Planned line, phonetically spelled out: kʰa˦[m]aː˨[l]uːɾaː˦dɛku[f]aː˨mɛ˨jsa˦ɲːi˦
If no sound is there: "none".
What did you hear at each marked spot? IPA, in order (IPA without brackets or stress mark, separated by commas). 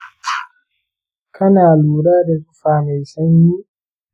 n, l, f